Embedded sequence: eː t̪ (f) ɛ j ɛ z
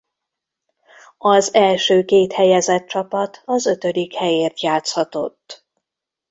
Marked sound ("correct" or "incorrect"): incorrect